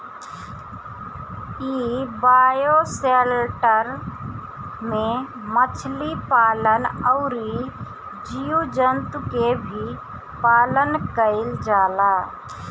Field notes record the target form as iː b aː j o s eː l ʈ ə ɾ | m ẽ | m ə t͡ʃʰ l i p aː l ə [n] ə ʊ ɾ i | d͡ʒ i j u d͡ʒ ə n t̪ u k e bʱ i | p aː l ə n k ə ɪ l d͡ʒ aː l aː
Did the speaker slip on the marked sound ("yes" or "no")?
no